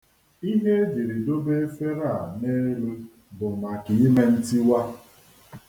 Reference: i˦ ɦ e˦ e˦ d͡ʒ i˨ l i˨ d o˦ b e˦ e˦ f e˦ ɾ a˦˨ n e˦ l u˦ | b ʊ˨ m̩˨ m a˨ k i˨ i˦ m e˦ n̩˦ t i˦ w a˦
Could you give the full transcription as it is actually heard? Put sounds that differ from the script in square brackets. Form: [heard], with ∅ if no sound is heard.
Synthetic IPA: i˦ ɦ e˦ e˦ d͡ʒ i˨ [ɾ] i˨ d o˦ b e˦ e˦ f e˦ ɾ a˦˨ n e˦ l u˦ | b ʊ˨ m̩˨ m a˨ k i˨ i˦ m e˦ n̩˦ t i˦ w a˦